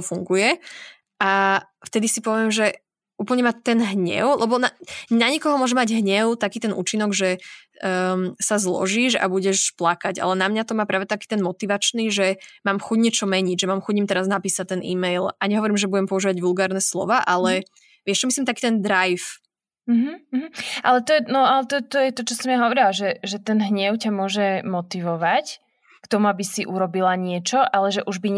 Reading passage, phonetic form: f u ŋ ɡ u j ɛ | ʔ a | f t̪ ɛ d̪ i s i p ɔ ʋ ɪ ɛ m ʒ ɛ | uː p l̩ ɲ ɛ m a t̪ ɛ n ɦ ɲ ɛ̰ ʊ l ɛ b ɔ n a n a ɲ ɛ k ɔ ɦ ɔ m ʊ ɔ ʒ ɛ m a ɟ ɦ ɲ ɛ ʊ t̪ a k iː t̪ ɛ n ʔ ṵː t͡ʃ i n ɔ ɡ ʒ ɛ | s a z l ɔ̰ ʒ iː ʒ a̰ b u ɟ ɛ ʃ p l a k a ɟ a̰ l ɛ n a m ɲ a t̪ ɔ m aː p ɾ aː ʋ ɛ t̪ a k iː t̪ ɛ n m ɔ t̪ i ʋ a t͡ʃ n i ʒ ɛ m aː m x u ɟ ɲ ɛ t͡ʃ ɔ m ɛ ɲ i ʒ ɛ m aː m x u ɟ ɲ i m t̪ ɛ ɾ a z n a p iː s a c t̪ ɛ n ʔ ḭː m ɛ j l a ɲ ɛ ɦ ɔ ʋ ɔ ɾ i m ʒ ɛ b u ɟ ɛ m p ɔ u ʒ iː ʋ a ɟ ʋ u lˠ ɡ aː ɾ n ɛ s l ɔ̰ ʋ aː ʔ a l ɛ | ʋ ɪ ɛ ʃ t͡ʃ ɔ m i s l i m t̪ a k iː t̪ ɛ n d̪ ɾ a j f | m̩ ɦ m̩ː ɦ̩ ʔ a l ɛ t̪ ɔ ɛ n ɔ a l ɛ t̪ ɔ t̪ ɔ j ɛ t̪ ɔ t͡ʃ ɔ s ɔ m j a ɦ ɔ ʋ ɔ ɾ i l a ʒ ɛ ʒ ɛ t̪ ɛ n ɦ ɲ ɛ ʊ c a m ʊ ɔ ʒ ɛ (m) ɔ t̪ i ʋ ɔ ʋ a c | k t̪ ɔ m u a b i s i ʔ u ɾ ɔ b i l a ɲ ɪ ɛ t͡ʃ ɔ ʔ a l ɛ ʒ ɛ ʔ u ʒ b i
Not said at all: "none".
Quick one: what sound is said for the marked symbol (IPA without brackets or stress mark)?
m